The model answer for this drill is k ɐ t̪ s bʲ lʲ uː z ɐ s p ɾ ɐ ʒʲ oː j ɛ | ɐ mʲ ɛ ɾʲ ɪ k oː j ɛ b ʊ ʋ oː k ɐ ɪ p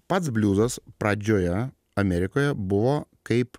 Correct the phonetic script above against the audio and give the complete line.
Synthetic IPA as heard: p ɐ t̪ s bʲ lʲ uː z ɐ s p ɾ ɐ d͡ʒʲ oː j ɛ | ɐ mʲ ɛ ɾʲ ɪ k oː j ɛ b ʊ ʋ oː k ɐ ɪ p

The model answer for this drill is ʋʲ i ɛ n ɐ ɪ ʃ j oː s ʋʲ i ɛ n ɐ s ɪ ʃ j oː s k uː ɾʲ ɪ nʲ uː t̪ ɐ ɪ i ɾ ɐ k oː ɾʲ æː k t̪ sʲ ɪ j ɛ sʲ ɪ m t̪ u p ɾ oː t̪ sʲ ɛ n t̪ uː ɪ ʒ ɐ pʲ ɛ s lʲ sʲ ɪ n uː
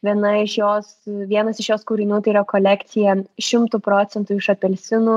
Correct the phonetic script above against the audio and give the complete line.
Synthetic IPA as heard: ʋʲ i ɛ n ɐ ɪ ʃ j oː s ʋʲ i ɛ n ɐ s ɪ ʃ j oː s k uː ɾʲ ɪ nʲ uː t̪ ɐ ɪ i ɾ ɐ k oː lʲ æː k t̪ sʲ ɪ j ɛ ʃʲ ɪ m t̪ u p ɾ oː t̪ sʲ ɛ n t̪ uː ɪ ʃ ɐ pʲ ɛ lʲ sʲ ɪ n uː

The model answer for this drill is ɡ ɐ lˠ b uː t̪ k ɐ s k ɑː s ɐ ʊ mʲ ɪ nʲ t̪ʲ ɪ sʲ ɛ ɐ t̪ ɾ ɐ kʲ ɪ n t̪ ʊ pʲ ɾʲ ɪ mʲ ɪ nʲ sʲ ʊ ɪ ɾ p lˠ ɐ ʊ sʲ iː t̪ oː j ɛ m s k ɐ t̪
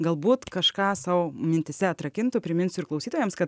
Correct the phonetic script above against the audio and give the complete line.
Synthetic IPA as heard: ɡ ɐ lˠ b uː t̪ k ɐ ʃ k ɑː s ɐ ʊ mʲ ɪ nʲ t̪ʲ ɪ sʲ ɛ ɐ t̪ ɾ ɐ kʲ ɪ n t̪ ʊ pʲ ɾʲ ɪ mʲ ɪ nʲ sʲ ʊ ɪ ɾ k lˠ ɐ ʊ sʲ iː t̪ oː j ɛ m s k ɐ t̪

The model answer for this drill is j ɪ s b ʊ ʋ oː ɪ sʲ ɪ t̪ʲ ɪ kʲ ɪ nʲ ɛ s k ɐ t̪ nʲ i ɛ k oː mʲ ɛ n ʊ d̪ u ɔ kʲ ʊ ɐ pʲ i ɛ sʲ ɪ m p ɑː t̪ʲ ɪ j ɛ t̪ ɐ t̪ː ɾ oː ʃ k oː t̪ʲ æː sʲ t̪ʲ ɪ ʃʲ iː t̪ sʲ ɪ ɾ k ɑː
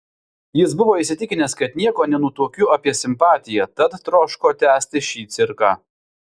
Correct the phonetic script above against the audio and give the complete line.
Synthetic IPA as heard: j ɪ s b ʊ ʋ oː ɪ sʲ ɪ t̪ʲ ɪ kʲ ɪ nʲ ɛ s k ɐ t̪ nʲ i ɛ k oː nʲ ɛ n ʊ t̪ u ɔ kʲ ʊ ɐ pʲ i ɛ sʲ ɪ m p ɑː t̪ʲ ɪ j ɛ t̪ ɐ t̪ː ɾ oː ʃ k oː t̪ʲ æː sʲ t̪ʲ ɪ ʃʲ iː t̪ sʲ ɪ ɾ k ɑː

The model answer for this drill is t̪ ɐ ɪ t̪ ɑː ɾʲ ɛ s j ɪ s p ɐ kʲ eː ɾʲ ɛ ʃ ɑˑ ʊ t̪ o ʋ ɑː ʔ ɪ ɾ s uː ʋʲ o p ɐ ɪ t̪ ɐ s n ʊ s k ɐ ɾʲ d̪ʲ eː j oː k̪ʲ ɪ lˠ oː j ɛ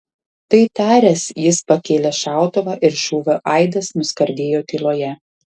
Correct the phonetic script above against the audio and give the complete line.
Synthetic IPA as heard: t̪ ɐ ɪ t̪ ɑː ɾʲ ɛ s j ɪ s p ɐ kʲ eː lʲ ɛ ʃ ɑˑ ʊ t̪ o ʋ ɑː ʔ ɪ ɾ ʃ uː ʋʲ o ʔ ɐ ɪ d̪ ɐ s n ʊ s k ɐ ɾʲ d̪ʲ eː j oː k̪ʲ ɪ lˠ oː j ɛ

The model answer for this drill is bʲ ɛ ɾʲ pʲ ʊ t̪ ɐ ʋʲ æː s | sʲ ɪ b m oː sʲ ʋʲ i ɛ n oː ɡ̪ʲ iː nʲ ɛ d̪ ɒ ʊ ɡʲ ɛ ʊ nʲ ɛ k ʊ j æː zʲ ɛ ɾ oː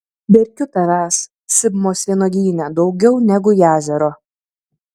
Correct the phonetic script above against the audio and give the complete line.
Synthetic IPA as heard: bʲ ɛ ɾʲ kʲ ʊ t̪ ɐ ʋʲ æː s | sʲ ɪ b m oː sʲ ʋʲ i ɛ n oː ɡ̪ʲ iː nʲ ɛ d̪ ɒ ʊ ɡʲ ɛ ʊ nʲ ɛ ɡ ʊ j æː zʲ ɛ ɾ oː

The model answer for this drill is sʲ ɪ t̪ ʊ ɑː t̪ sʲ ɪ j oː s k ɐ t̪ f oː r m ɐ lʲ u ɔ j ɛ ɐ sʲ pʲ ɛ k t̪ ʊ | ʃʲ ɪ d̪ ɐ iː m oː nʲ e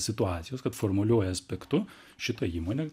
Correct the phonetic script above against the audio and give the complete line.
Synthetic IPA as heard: sʲ ɪ t̪ ʊ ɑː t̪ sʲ ɪ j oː s k ɐ t̪ f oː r m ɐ lʲ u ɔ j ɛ ɐ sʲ pʲ ɛ k t̪ ʊ | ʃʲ ɪ t̪ ɐ iː m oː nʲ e

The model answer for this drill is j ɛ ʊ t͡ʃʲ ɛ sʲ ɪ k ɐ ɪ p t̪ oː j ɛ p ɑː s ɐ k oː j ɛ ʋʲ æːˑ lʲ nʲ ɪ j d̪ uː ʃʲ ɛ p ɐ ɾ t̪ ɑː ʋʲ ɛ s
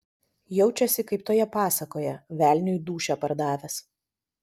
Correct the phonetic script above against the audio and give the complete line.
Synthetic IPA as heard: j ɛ ʊ t͡ʃʲ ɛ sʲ ɪ k ɐ ɪ p t̪ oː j ɛ p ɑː s ɐ k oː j ɛ ʋʲ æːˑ lʲ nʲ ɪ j d̪ uː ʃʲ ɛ p ɐ ɾ d̪ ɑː ʋʲ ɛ s

